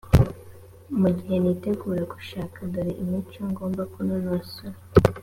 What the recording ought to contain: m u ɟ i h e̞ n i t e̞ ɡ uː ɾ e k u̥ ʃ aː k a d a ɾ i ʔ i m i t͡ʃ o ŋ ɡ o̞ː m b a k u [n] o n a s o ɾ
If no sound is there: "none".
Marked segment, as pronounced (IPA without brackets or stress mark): n